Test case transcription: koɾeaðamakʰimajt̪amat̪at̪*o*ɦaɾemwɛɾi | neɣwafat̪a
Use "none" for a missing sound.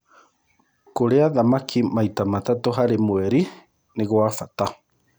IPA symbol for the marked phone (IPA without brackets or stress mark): o